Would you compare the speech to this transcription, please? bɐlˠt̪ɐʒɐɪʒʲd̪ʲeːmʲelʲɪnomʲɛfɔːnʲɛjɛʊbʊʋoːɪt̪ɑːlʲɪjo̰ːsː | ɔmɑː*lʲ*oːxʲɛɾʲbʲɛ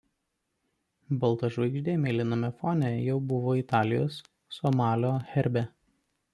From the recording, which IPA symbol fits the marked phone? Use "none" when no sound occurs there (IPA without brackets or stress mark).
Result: lʲ